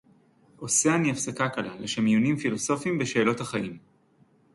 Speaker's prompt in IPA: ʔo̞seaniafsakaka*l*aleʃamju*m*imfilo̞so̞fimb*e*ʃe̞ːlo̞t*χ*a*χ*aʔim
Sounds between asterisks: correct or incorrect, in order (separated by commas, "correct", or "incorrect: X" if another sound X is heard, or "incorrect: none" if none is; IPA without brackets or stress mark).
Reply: correct, incorrect: n, correct, incorrect: h, correct